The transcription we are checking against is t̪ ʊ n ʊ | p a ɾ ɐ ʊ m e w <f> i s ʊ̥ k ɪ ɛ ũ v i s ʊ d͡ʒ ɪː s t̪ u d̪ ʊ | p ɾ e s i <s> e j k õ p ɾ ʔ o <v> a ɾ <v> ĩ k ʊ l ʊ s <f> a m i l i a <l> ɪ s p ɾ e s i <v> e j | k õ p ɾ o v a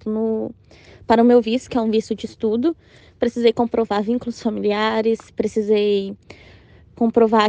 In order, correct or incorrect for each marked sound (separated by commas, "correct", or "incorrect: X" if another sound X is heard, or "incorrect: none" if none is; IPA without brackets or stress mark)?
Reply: incorrect: v, incorrect: z, correct, correct, correct, incorrect: ɾ, incorrect: z